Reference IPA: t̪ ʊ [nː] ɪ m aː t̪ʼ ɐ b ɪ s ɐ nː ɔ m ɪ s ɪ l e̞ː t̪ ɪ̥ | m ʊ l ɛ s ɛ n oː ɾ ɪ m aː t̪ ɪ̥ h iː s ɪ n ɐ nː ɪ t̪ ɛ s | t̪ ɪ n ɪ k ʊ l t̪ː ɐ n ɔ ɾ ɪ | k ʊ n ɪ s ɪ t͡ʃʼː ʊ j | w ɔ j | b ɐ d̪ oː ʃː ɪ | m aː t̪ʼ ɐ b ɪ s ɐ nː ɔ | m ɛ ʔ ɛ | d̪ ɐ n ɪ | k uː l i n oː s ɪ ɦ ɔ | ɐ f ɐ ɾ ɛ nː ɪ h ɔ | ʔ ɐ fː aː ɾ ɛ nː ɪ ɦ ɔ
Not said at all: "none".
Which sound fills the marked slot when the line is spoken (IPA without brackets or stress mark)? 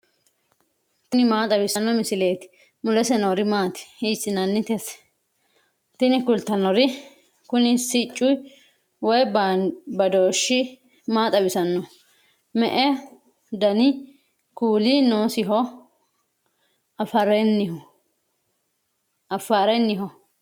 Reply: n